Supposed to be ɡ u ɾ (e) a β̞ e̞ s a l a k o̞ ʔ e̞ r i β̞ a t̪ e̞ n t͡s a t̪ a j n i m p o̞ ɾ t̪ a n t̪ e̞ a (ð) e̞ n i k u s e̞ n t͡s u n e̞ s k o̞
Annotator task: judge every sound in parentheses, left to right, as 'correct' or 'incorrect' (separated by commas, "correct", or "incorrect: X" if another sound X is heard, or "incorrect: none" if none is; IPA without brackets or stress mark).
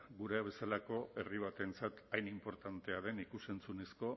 correct, correct